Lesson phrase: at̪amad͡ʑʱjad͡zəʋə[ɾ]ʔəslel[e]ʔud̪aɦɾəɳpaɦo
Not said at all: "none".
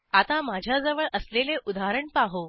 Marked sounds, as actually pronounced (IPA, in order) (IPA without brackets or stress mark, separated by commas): ɭ, e